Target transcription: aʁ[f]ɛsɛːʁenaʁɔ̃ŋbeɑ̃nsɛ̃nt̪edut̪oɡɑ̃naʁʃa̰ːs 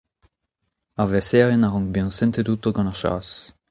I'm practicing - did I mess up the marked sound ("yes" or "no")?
yes